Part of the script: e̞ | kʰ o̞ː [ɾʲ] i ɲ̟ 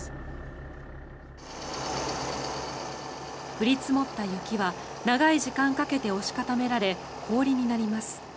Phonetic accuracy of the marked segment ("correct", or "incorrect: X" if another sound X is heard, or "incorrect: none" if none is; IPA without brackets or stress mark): correct